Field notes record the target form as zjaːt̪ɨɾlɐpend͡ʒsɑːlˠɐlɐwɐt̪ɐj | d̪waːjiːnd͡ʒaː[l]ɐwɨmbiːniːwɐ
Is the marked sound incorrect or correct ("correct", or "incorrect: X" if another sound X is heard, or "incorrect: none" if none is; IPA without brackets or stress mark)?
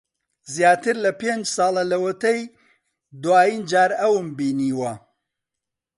incorrect: ɾ